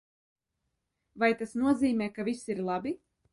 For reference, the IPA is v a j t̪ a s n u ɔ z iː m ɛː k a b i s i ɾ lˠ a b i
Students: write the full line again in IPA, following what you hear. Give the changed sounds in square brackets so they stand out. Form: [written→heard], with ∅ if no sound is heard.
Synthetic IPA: v a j t̪ a s n u ɔ z iː m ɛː k a [b→v] i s i ɾ lˠ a b i